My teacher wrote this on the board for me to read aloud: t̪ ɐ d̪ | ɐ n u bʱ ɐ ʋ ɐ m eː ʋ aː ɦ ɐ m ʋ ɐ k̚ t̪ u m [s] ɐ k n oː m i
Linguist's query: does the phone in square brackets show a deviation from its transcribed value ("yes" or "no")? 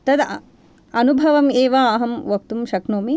yes